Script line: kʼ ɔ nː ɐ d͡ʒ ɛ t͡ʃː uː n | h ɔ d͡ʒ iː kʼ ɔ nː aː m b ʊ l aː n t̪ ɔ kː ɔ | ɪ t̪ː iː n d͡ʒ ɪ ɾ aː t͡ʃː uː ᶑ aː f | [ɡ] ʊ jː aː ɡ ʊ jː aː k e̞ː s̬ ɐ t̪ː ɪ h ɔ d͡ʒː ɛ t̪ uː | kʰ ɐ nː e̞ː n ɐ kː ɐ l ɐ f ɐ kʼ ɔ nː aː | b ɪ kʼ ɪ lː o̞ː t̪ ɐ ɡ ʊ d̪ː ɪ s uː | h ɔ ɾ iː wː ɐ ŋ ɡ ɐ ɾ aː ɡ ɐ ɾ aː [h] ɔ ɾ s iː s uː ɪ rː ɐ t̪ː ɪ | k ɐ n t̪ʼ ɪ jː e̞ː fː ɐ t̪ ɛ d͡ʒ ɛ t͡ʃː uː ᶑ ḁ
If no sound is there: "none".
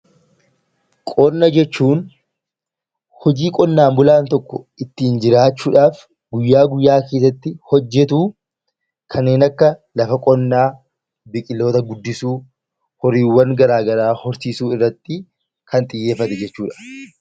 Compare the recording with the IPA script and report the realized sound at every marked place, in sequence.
ɡ, h

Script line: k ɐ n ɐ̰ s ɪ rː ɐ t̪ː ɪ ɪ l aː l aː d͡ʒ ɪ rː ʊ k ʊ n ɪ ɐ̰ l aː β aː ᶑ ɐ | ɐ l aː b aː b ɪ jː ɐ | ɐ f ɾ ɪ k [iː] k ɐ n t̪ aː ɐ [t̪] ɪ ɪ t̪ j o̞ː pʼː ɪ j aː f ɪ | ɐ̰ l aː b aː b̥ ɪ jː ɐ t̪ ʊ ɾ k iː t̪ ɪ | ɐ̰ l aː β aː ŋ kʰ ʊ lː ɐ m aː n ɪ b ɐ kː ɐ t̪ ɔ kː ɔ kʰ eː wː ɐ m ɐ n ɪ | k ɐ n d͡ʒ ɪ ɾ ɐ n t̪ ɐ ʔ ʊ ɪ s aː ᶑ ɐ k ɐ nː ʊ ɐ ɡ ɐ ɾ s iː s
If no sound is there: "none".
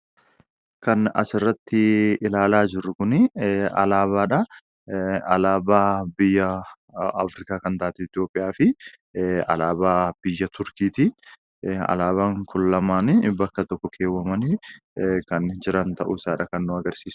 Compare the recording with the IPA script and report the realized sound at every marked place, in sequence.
aː, t̪

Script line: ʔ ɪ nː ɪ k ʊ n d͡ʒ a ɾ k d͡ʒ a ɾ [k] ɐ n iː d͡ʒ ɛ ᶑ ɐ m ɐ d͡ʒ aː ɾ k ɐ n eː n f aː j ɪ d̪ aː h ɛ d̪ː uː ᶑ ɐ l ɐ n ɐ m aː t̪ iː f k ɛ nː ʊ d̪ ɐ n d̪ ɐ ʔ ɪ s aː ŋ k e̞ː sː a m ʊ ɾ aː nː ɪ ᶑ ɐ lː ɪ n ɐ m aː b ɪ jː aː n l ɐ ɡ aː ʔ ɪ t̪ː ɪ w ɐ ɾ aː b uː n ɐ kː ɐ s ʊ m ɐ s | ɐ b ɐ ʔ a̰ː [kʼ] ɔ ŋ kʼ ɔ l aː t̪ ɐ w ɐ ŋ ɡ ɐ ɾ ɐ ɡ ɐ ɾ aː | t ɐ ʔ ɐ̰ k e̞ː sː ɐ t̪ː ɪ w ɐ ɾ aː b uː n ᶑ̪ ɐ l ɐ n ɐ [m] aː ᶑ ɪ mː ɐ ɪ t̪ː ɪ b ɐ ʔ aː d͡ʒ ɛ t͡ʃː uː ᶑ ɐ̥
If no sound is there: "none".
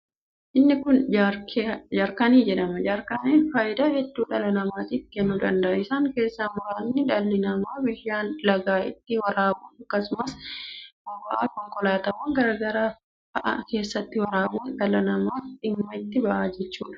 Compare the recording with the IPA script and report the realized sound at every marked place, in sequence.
k, k, m

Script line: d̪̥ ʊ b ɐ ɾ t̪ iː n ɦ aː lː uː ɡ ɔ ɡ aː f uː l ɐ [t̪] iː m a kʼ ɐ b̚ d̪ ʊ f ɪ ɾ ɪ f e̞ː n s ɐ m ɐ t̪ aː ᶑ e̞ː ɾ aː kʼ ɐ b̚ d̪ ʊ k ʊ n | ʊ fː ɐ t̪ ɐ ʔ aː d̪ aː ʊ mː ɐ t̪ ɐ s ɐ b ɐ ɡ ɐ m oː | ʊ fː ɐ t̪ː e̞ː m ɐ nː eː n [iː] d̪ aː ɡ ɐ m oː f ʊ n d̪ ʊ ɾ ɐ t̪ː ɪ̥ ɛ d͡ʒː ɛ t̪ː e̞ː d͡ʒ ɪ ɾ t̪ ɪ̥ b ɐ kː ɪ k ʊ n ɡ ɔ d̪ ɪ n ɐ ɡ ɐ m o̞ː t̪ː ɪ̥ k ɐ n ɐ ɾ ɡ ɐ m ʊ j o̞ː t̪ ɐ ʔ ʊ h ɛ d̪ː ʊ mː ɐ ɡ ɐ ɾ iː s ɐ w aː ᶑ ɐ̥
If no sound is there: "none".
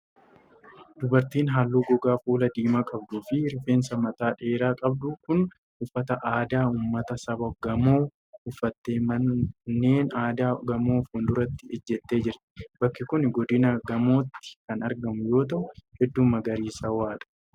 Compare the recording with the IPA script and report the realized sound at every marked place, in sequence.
d̪, aː

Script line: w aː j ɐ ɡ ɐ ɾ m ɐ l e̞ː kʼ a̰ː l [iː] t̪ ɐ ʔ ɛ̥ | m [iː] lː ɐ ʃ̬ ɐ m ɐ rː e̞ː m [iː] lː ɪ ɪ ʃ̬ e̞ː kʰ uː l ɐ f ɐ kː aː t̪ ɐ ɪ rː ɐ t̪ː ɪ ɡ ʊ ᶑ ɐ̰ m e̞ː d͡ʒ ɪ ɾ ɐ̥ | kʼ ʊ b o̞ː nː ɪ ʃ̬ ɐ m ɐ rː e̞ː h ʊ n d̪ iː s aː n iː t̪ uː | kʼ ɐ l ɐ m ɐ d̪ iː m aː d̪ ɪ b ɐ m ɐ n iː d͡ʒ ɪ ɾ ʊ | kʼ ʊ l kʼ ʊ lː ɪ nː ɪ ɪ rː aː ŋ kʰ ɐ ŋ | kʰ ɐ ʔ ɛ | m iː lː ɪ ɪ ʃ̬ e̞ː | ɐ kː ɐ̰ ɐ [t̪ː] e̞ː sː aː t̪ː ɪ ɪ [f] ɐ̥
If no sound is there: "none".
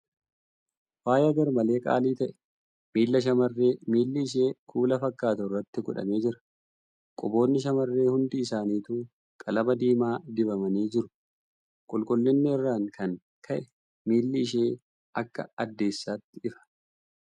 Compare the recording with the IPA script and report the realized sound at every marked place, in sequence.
iː, iː, iː, d̪ː, f

